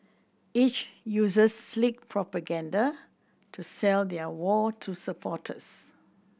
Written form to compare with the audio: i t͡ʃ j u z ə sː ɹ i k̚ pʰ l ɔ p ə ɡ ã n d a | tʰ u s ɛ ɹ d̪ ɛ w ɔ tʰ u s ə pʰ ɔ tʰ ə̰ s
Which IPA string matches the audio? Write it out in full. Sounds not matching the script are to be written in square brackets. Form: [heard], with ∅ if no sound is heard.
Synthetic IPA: i t͡ʃ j u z ə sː [l] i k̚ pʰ [ɹ] ɔ p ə ɡ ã n d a | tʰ u s ɛ [l] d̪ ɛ w ɔ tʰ u s ə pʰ ɔ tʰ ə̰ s

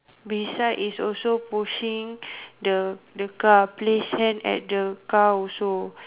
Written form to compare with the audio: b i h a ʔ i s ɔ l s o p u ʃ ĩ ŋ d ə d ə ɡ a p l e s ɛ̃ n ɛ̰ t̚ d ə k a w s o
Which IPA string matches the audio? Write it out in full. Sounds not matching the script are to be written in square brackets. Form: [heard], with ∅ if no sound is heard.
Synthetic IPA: b i [s] a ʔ i s ɔ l s o p u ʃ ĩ ŋ d ə d ə [k] a p l e s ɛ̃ n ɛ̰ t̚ d ə k a w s o

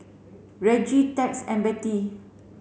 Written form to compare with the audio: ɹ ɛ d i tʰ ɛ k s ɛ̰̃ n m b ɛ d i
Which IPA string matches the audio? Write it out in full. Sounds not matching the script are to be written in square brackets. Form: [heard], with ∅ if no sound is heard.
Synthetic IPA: ɹ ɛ [d͡ʒ] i [t] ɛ k s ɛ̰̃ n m b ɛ [t] i

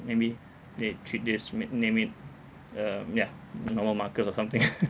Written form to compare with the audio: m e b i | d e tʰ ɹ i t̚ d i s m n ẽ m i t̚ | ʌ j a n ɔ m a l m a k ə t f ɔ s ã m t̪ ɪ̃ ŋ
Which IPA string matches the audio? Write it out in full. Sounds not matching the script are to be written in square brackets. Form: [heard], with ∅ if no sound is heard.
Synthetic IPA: m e b i | d e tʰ ɹ i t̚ d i s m n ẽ m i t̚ | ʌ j a n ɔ m [ə] l m a k ə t [s] ɔ s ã m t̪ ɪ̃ ŋ

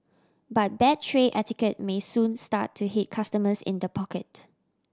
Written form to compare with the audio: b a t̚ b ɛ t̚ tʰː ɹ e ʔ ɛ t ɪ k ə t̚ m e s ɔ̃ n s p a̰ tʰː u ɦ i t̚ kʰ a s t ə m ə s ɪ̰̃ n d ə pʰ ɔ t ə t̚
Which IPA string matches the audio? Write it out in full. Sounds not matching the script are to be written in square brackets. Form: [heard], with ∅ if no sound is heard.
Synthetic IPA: b a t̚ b ɛ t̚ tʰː ɹ e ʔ ɛ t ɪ k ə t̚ m e s [ũ] n s [t] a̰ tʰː u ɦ i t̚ kʰ a s t ə m ə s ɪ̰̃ n d ə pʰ ɔ [k] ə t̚

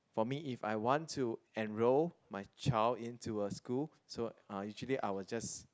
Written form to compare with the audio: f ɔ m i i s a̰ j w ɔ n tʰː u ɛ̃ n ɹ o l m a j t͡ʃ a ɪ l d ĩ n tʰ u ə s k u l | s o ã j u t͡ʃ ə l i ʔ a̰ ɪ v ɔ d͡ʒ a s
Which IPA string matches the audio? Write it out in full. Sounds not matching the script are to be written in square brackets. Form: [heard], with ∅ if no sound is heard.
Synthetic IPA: f ɔ m i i [f] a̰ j w [ɔ̃] n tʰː u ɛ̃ n ɹ o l m a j t͡ʃ a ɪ l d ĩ n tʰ u ə s k u l | s o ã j u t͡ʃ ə l i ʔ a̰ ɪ [w] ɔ d͡ʒ a s

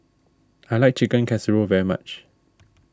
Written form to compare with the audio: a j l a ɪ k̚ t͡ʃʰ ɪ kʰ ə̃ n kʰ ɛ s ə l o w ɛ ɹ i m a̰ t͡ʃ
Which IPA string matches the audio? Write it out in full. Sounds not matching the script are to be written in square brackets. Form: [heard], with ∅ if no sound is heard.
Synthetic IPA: a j l a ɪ k̚ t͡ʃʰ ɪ [k] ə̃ n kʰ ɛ s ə [ɹ] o [v] ɛ ɹ i m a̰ t͡ʃ

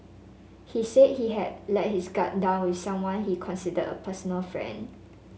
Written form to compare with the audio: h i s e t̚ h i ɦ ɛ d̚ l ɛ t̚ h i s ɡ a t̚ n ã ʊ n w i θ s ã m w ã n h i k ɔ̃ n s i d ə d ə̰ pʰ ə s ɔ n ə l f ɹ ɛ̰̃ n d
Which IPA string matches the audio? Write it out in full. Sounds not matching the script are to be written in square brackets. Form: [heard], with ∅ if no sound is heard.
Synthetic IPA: h i s e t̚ h i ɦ ɛ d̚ l ɛ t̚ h i s ɡ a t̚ [d] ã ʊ n w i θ s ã m w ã n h i [kʰ] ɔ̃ n s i d ə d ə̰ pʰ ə s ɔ n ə l f ɹ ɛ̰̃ n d

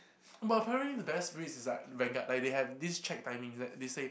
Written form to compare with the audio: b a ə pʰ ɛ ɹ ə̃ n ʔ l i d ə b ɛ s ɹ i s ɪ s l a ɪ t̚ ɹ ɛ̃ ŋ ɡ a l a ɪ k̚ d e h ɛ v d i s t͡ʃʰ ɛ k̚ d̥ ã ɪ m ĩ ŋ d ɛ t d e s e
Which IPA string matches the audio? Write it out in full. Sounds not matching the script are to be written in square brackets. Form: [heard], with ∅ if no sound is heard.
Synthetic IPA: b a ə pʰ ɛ ɹ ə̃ n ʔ l i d ə b ɛ s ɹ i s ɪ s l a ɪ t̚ ɹ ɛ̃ ŋ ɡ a l a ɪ k̚ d e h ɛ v d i s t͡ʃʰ ɛ k̚ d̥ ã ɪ m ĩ ŋ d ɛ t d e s e

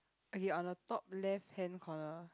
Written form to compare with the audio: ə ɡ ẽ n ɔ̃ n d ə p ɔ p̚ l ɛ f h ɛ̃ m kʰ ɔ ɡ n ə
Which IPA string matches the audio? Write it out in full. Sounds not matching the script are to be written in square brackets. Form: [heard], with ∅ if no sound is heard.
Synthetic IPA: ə ɡ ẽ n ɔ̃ n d ə [t] ɔ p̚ l ɛ f h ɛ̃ [n] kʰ ɔ [∅] n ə

